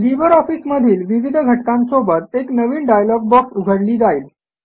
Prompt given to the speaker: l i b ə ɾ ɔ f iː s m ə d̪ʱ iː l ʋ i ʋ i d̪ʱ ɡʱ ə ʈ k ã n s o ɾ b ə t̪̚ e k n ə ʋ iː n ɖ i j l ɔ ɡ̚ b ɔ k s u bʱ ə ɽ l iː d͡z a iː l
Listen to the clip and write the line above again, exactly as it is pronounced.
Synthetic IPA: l i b ə ɾ ɔ f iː s m ə d̪ʱ iː l ʋ i ʋ i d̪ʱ ɡʱ ə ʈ k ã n s o b ə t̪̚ e k n ə ʋ iː n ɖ a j l ɔ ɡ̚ b ɔ k s u ɡʱ ə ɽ l iː d͡z a iː l